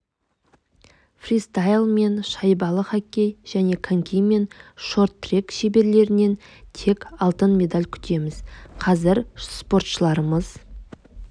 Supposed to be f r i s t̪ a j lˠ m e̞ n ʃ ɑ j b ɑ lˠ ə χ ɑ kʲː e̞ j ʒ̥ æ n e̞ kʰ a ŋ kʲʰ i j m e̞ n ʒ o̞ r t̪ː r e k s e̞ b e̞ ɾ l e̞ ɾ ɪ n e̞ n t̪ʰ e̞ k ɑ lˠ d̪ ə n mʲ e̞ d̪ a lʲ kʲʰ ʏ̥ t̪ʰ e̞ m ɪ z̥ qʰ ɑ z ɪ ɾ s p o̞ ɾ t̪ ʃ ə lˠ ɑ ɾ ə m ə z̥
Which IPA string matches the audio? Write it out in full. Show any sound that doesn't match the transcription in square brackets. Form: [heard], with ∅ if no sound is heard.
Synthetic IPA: f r i s t̪ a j lˠ m e̞ n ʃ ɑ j b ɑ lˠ ə χ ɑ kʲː e̞ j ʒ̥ æ n e̞ kʰ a ŋ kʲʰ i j m e̞ n [ʃ] o̞ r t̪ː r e k [ʃ] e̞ b e̞ ɾ l e̞ ɾ ɪ n e̞ n t̪ʰ e̞ k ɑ lˠ [t̪] ə n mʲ e̞ d̪ a lʲ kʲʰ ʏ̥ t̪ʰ e̞ m ɪ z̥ qʰ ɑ z ɪ ɾ s p o̞ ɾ t̪ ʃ ə lˠ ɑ ɾ ə m ə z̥